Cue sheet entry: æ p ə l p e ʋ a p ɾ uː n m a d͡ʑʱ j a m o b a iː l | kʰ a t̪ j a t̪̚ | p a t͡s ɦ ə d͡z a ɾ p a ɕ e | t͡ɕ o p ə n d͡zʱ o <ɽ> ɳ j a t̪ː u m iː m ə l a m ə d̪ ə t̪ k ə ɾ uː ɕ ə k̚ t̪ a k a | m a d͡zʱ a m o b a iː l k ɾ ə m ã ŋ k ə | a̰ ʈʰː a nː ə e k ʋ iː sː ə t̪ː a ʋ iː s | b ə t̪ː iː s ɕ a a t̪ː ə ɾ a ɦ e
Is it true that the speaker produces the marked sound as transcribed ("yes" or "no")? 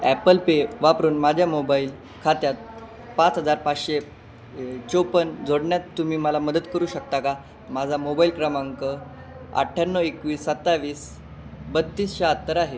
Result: yes